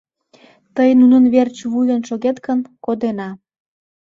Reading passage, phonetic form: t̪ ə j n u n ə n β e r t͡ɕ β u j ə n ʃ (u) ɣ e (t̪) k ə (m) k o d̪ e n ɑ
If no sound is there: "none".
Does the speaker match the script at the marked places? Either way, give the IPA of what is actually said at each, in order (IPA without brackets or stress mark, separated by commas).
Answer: o, t̪, n